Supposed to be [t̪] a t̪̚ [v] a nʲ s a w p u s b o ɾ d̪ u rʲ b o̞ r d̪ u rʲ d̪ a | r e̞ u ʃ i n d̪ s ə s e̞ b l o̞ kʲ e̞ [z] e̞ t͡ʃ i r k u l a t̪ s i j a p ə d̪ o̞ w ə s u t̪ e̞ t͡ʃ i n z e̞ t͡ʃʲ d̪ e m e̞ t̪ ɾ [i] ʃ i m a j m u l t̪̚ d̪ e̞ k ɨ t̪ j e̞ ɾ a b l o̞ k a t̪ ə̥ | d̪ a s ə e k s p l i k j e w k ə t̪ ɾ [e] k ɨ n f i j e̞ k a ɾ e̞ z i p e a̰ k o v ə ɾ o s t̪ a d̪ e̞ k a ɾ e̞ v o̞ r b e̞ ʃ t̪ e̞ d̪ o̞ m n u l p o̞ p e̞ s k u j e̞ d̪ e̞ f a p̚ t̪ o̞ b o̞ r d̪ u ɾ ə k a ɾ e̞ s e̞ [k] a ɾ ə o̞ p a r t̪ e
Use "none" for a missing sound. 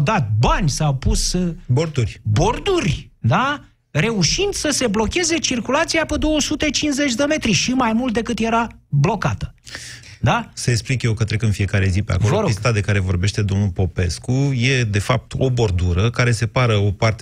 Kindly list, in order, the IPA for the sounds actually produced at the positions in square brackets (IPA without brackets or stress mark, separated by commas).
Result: d̪, b, z, i, e, p